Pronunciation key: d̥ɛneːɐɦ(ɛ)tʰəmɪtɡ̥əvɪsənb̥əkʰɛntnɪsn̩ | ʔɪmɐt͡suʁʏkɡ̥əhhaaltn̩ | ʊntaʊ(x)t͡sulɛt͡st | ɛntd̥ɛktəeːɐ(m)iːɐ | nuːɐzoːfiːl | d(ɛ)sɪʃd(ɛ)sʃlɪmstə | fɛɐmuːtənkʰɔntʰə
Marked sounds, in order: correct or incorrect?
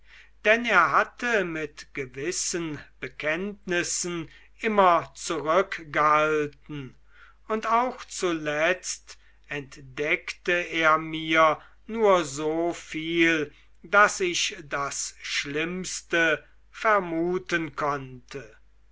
incorrect: a, correct, correct, incorrect: a, incorrect: a

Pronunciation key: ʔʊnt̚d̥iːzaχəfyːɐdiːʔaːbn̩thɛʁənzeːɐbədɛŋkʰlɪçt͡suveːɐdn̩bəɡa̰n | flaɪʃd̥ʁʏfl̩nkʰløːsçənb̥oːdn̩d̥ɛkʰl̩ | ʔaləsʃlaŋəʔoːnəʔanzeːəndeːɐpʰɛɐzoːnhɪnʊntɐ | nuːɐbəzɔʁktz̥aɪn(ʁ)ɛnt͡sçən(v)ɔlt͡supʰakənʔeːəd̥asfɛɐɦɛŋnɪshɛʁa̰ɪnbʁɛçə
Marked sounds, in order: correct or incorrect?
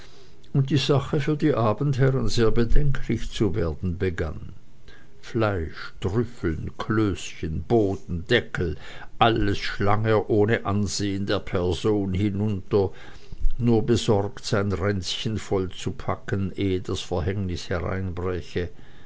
correct, incorrect: f

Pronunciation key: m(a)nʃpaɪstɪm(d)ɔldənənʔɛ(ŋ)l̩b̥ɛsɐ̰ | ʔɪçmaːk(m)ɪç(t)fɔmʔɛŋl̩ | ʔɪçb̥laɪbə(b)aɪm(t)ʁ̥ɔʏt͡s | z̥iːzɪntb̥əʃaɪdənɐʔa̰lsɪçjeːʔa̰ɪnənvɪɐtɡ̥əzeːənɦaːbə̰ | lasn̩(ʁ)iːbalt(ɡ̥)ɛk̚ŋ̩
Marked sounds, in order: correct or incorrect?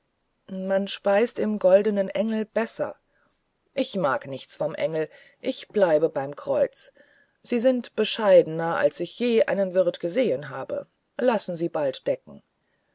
correct, incorrect: ɡ, correct, incorrect: n, incorrect: t͡s, correct, incorrect: k, incorrect: z, incorrect: d̥

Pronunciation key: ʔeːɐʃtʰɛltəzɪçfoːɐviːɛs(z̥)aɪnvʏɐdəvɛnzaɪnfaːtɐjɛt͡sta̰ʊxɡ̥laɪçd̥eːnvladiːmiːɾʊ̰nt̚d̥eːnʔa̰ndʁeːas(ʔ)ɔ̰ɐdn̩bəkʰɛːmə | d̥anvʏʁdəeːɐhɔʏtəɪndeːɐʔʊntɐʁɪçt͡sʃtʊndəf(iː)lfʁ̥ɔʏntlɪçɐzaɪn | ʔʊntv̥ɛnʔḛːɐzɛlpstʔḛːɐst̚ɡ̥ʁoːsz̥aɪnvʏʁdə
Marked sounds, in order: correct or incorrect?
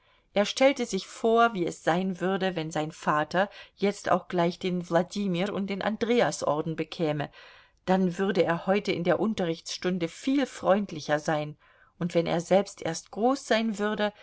correct, correct, correct

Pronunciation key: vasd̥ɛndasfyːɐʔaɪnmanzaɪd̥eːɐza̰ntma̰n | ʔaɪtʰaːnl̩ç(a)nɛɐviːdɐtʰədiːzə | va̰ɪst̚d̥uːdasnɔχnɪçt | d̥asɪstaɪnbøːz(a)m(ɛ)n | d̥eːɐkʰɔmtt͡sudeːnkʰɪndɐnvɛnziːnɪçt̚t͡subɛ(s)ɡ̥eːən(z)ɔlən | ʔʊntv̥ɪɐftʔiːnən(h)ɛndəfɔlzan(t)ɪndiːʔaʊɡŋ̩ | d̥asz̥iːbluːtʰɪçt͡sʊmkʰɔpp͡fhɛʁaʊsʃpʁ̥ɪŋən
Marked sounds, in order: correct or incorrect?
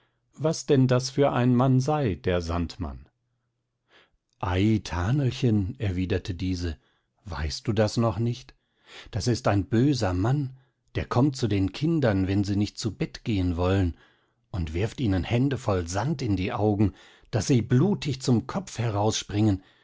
incorrect: ə, incorrect: ɐ, incorrect: a, incorrect: t, incorrect: v, correct, correct

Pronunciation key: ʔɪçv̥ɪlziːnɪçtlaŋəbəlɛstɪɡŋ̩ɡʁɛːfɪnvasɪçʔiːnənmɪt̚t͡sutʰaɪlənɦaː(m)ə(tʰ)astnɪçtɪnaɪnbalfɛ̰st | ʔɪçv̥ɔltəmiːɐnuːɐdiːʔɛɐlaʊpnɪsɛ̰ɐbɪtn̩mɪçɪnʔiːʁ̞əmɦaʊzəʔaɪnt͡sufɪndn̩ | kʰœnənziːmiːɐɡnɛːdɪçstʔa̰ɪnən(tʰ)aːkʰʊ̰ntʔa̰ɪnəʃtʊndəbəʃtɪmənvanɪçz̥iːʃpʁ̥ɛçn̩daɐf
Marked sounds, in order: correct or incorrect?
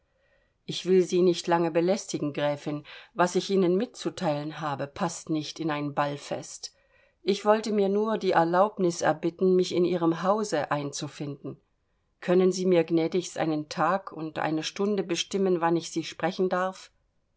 incorrect: b, incorrect: pʰ, correct

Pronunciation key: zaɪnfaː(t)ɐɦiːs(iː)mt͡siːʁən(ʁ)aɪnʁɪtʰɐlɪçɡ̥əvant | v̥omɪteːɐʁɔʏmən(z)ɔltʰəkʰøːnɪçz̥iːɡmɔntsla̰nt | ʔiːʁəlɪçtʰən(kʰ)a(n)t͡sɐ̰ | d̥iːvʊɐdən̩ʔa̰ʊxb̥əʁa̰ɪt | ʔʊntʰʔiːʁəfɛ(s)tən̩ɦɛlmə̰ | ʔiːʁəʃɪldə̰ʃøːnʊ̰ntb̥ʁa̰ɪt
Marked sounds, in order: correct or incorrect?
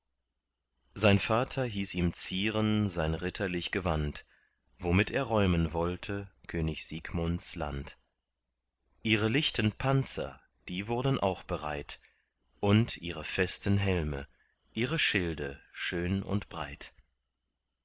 incorrect: tʰ, correct, incorrect: z, incorrect: v, incorrect: pʰ, correct, correct

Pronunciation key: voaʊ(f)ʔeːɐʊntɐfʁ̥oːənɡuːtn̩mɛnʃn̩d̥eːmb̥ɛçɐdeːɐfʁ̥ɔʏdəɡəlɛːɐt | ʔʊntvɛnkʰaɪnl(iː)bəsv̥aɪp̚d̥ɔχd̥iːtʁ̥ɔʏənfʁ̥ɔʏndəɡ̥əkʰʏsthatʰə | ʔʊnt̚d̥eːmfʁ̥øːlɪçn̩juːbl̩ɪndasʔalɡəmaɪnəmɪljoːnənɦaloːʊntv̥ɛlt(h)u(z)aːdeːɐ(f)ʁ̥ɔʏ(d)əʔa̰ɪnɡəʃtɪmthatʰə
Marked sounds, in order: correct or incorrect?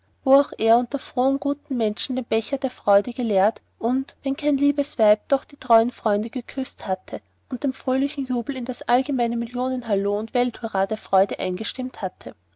incorrect: x, correct, correct, incorrect: ʁ, correct, correct

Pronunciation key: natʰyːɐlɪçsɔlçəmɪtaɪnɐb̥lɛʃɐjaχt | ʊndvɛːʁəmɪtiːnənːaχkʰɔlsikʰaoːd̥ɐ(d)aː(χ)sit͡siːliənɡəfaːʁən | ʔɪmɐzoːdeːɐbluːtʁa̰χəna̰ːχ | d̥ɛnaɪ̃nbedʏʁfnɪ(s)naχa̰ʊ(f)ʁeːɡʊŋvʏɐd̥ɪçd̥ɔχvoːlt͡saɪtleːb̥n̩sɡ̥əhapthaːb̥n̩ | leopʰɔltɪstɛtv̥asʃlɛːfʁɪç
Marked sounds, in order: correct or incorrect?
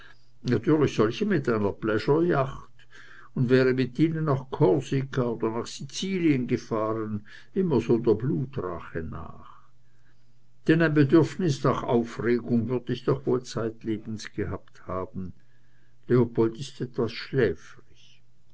incorrect: n, correct, correct, correct

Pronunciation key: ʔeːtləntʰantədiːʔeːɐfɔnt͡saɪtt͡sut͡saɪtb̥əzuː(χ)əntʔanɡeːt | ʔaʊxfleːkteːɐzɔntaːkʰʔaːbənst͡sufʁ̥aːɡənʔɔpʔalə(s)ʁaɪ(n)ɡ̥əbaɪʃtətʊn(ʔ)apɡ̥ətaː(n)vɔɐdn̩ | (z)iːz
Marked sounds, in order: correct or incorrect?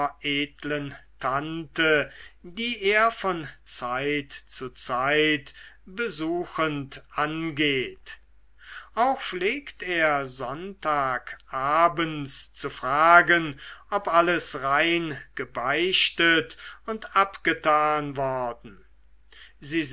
incorrect: x, correct, correct, incorrect: t, correct, correct

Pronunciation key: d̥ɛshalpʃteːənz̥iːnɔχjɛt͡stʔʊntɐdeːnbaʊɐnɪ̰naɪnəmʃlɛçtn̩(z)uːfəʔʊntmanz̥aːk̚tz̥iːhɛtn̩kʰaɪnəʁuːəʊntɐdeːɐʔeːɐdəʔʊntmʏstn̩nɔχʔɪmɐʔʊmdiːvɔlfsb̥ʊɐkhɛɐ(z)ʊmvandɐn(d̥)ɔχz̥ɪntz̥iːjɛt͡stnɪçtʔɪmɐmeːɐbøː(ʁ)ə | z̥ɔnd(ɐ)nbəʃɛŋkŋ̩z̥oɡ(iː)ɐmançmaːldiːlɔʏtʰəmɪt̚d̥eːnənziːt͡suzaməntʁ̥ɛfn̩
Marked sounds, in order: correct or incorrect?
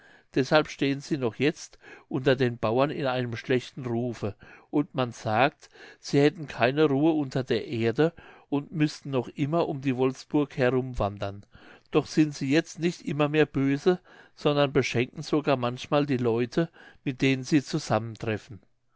incorrect: ʁ, incorrect: ʁ, correct, incorrect: z, correct, incorrect: aː

